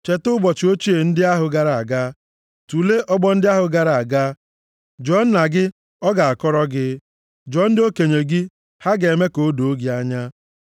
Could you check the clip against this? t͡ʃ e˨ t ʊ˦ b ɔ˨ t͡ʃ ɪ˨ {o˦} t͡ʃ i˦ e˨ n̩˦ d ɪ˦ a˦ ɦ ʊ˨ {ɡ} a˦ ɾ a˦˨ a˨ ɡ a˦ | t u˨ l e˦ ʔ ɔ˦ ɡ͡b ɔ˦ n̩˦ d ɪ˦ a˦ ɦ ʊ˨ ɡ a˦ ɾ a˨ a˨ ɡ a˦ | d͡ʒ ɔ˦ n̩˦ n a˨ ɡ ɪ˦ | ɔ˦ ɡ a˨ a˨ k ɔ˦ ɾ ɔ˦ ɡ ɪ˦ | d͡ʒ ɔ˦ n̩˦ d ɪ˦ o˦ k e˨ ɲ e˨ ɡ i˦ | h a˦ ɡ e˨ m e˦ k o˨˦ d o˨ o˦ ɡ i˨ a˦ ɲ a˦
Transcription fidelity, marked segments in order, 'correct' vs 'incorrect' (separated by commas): correct, correct